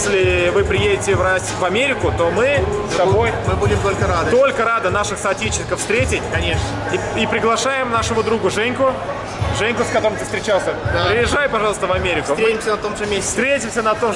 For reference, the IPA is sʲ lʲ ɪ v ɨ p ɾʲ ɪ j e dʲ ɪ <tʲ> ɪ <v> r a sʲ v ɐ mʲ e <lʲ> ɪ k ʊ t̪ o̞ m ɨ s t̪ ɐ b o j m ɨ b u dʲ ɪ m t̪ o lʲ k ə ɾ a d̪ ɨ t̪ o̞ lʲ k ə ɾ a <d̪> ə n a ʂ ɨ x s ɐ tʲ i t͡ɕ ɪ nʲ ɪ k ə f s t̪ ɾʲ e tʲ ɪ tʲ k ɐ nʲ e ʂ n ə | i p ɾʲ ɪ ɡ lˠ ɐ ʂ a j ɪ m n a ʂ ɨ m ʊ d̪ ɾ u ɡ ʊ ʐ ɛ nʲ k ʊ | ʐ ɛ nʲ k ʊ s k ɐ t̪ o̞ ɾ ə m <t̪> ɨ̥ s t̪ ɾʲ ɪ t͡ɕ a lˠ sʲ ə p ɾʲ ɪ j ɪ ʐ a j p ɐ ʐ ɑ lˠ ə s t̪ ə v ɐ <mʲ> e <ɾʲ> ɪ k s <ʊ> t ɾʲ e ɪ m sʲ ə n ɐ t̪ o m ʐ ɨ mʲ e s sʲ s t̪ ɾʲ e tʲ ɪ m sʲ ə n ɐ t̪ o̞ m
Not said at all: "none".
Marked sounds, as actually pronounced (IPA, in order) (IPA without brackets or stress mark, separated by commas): tʲ, v, ɾʲ, d̪, t̪, mʲ, ɾʲ, ʊ